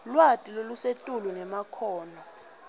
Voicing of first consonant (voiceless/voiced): voiced